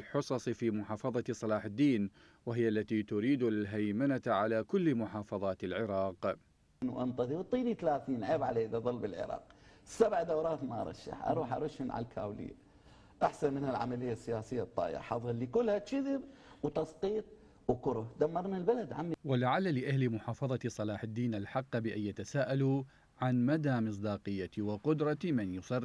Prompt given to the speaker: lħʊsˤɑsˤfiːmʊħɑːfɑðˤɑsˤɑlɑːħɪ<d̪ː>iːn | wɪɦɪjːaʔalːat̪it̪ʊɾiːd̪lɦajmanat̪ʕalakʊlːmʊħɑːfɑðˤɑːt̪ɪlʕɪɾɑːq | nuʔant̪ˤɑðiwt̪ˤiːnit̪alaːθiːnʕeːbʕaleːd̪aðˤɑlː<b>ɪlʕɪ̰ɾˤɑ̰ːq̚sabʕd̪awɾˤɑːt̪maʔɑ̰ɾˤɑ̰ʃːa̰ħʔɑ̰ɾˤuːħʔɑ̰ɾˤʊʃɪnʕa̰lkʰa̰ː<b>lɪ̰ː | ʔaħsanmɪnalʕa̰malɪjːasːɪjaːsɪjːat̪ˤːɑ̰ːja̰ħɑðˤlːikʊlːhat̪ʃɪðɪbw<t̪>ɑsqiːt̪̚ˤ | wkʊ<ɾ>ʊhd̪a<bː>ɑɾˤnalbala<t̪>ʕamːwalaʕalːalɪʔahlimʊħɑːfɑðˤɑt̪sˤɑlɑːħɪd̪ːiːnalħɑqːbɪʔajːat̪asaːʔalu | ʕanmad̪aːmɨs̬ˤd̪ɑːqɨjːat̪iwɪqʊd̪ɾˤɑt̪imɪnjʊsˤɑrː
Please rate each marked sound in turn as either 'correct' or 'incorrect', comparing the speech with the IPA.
correct, correct, incorrect: w, correct, correct, incorrect: mː, incorrect: d̪

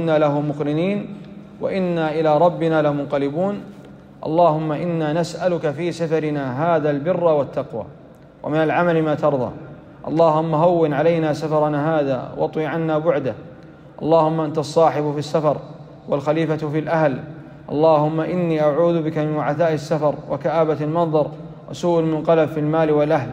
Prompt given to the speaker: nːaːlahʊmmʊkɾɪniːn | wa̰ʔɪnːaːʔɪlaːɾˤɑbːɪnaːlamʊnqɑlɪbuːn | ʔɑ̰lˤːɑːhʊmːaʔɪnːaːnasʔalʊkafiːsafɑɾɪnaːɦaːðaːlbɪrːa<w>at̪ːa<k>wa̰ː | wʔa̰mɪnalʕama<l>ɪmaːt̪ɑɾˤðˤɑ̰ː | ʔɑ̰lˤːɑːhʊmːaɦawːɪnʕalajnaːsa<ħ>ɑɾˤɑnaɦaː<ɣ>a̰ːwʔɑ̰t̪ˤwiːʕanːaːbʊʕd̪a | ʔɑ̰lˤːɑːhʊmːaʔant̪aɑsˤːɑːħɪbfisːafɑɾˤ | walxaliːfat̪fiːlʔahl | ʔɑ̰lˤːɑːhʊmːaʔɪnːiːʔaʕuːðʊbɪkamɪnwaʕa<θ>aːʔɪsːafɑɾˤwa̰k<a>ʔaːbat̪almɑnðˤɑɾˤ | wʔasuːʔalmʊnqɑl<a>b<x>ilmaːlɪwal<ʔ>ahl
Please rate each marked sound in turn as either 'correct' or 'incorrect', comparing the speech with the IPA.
correct, incorrect: q, correct, incorrect: f, incorrect: ð, correct, correct, correct, incorrect: f, correct

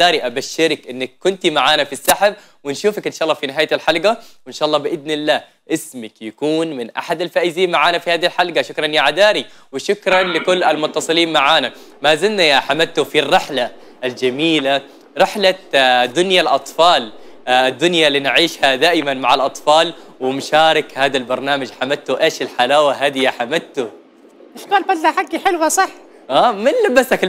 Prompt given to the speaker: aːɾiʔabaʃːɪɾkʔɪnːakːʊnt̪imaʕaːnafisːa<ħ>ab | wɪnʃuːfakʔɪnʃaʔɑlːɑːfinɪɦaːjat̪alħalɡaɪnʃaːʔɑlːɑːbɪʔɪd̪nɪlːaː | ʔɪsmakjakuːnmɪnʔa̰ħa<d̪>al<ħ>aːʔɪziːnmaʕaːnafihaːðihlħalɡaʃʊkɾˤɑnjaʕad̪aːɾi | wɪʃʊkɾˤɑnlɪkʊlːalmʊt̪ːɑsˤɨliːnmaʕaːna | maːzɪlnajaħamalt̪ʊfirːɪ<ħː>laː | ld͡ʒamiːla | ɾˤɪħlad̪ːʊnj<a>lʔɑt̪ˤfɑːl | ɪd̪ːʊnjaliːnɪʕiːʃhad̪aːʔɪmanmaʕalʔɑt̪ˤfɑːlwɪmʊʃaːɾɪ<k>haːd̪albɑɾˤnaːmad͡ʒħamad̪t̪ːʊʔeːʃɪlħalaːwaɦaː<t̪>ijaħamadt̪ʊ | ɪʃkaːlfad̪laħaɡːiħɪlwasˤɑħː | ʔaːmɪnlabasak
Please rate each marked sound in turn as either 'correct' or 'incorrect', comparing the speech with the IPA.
correct, correct, incorrect: f, incorrect: ħ, correct, correct, incorrect: d̪

